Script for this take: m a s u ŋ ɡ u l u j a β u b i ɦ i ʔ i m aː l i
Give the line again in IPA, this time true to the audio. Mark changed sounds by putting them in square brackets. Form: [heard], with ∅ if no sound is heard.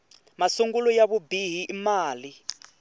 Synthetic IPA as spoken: m a s u ŋ ɡ u l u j a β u b i ɦ i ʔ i m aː l i